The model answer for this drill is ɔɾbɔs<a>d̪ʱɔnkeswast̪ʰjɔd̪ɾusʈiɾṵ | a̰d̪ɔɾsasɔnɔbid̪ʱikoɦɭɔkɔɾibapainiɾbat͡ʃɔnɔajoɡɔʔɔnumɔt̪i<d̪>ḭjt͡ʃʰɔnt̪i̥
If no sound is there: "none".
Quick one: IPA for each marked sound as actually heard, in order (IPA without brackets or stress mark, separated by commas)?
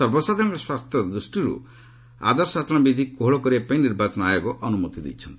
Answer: a, d̪